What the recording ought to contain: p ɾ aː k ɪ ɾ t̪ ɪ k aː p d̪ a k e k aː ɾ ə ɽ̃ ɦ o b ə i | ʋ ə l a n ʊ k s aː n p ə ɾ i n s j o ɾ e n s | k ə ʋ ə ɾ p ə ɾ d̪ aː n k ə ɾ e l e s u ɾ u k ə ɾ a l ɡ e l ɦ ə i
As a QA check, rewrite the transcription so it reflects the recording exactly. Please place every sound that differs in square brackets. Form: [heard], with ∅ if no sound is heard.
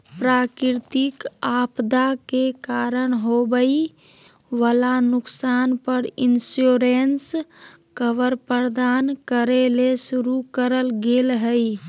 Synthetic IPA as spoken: p ɾ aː k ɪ ɾ t̪ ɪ k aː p d̪ a k e k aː ɾ ə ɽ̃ ɦ o b ə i | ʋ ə l a n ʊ k s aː n p ə ɾ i n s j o ɾ e n s | k ə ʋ ə ɾ p ə ɾ d̪ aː n k ə ɾ e l e s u ɾ u k ə ɾ [ə] l ɡ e l ɦ ə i